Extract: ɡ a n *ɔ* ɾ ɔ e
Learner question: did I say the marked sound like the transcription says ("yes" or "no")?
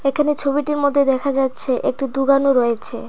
no